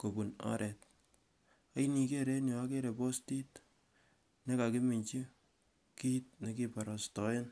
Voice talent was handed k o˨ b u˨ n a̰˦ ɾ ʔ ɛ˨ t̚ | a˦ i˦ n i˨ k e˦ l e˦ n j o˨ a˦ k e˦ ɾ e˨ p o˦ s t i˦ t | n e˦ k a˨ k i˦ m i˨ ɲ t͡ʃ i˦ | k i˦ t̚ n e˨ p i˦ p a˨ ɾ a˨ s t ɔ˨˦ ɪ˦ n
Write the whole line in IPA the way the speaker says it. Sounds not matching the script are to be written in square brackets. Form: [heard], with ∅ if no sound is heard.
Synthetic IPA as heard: k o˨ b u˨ n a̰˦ ɾ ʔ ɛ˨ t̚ | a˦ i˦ n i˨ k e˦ [ɾ] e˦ n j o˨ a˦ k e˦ ɾ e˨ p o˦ s t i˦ t | n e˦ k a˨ k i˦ m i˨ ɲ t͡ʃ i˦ | k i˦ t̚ n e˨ [k] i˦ p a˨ ɾ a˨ s t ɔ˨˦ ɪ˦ n